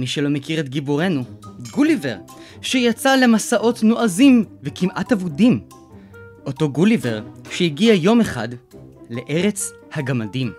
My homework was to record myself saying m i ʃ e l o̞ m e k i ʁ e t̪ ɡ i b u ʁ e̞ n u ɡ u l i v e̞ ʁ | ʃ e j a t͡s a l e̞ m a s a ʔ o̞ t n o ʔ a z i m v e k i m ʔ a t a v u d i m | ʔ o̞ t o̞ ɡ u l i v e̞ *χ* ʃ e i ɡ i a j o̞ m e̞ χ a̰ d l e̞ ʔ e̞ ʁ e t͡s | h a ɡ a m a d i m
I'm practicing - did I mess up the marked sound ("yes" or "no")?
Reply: yes